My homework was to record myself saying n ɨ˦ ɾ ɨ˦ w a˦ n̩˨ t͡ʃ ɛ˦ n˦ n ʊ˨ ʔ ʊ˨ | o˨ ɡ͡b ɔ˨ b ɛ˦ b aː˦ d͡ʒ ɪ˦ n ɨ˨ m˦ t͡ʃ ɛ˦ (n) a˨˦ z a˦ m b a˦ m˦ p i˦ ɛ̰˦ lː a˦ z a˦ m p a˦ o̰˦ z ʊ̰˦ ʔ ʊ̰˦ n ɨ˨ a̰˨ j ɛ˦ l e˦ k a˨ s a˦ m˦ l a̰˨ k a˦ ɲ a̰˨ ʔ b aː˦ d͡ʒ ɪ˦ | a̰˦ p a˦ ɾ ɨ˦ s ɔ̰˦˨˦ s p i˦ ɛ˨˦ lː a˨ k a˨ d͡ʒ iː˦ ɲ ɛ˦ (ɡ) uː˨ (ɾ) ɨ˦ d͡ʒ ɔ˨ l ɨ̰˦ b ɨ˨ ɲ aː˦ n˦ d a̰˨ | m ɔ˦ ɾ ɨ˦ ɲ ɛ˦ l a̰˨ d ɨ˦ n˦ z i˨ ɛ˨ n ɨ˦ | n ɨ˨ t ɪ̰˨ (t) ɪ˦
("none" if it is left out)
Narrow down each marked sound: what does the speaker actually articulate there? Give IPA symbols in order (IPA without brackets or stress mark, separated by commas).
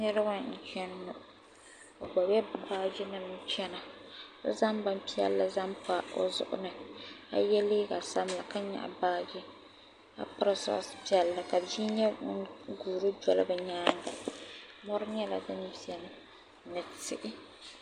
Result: n, ɡ, ɾ, ʔ